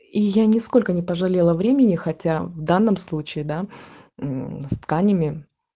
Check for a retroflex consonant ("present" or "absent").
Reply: present